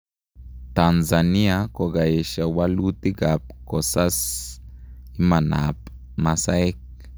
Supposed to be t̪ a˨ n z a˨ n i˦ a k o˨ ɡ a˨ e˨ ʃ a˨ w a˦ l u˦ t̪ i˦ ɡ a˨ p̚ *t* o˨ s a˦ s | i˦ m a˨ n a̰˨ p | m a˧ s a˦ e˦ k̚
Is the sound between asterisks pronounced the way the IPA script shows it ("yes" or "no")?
no